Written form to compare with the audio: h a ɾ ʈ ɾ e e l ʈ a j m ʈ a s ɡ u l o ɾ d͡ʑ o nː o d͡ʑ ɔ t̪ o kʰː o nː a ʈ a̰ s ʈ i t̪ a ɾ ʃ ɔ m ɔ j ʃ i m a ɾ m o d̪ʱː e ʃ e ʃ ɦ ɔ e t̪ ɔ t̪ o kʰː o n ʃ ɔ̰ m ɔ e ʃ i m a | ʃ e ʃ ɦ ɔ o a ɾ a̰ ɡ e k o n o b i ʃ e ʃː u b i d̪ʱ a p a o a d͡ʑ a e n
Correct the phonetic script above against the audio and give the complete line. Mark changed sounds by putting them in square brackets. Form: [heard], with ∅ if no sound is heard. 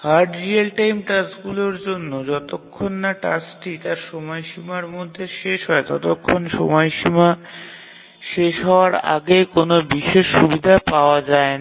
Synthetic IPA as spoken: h a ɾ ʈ ɾ [i] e l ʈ a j m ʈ a s ɡ u l o ɾ d͡ʑ o nː o d͡ʑ ɔ t̪ o kʰː o nː a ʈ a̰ s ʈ i t̪ a ɾ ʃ ɔ m ɔ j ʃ i m a ɾ m o d̪ʱː e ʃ e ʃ ɦ ɔ e t̪ ɔ t̪ o kʰː o n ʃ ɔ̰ m ɔ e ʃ i m a | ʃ e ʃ ɦ ɔ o a ɾ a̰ ɡ e k o n o b i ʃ e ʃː u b i d̪ʱ a p a o a d͡ʑ a e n